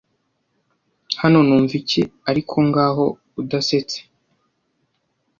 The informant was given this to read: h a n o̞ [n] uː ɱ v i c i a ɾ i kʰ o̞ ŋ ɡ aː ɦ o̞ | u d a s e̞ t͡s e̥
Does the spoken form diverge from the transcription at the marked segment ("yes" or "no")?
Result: no